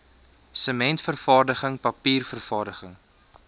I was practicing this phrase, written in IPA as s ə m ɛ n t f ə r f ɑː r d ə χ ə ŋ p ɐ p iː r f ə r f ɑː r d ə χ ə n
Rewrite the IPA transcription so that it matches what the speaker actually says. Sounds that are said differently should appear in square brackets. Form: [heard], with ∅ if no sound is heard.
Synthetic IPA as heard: s ə m ɛ n t f ə r f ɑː r d ə χ ə ŋ p ɐ p iː r f ə r f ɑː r d ə χ ə [ŋ]